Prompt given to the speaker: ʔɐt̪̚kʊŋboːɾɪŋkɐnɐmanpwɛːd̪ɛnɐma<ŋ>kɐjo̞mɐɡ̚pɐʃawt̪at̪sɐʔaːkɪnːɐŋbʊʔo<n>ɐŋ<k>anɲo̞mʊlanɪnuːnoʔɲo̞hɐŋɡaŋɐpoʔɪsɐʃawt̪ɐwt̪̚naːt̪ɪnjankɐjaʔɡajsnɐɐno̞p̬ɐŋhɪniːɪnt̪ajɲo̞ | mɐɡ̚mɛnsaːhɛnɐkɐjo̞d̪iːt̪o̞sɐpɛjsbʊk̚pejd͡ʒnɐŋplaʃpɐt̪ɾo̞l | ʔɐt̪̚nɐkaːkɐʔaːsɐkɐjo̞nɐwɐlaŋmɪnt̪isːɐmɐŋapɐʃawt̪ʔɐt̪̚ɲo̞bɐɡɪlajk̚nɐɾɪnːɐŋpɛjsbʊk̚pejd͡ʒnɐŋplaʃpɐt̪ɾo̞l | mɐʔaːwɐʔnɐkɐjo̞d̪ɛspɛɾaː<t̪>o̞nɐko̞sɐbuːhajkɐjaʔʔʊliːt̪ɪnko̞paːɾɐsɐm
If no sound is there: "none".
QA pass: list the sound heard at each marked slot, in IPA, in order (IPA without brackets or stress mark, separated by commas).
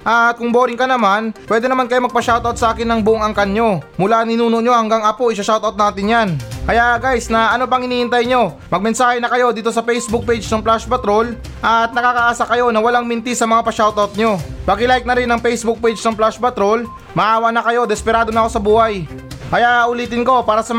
n, ŋ, k, d̪